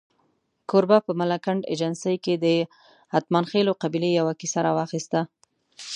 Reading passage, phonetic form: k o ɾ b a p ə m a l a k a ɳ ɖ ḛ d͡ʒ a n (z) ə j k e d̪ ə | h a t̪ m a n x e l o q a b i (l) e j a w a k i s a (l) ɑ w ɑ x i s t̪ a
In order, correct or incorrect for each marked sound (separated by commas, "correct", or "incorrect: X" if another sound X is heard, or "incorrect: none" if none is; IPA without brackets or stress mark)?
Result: incorrect: s, correct, incorrect: ɾ